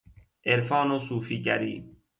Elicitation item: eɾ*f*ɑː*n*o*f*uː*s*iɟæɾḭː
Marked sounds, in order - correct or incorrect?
correct, correct, incorrect: s, incorrect: f

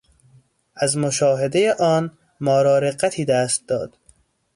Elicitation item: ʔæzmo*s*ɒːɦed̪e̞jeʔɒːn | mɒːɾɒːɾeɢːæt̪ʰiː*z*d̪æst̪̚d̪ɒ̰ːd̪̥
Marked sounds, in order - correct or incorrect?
incorrect: ʃ, incorrect: none

